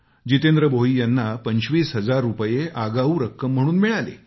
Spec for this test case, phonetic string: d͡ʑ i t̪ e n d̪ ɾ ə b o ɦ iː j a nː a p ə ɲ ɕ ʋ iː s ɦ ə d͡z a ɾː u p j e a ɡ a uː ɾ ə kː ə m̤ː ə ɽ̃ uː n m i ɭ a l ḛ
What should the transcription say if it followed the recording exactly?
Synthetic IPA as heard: d͡ʑ i t̪ e n d̪ ɾ ə b o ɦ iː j a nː a p ə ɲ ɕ ʋ iː s ɦ ə d͡z a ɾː u p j e a ɡ a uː ɾ ə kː ə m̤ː ə ɽ̃ uː n m i ɭ a l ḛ